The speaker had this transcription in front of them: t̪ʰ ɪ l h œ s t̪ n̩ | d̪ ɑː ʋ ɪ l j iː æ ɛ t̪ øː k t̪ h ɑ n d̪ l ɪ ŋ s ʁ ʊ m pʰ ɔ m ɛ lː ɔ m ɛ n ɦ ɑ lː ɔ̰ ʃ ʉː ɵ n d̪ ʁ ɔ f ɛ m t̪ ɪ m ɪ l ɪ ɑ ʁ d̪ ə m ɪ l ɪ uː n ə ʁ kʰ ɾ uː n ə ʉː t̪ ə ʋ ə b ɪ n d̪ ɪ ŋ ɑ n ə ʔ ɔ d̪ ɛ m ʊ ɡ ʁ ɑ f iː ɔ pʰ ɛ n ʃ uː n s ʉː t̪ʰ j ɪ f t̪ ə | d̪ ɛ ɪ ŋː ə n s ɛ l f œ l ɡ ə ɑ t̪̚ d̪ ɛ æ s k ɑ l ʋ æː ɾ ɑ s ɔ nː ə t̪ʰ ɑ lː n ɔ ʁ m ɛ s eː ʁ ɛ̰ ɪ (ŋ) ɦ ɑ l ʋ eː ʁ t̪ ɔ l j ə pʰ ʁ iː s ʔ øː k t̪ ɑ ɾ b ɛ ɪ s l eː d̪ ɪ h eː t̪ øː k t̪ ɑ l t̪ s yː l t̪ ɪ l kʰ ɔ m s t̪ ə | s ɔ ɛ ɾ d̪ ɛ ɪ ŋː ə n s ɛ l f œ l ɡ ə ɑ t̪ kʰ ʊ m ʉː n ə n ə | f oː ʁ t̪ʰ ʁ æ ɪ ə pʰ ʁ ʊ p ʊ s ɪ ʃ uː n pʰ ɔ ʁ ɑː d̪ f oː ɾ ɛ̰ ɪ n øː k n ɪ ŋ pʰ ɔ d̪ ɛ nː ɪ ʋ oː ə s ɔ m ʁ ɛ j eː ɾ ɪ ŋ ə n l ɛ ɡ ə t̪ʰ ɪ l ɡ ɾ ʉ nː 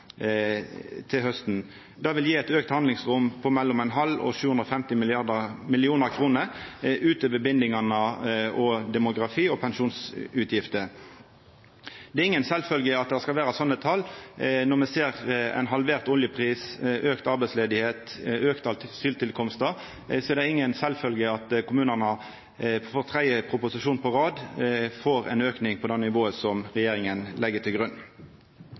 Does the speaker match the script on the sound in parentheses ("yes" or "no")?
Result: no